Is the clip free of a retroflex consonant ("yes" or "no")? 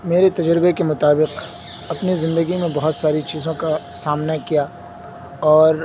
yes